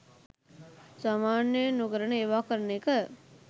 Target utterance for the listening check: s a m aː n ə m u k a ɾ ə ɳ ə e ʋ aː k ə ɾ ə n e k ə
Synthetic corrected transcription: s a m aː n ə n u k ə ɾ ə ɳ ə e ʋ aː k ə ɾ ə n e k ə